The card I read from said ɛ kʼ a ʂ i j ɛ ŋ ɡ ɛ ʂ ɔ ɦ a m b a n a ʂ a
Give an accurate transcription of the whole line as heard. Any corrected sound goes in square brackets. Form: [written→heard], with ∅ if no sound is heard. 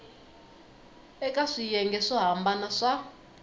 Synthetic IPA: ɛ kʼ a ʂ i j ɛ ŋ ɡ ɛ ʂ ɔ ɦ a m b a n a ʂ a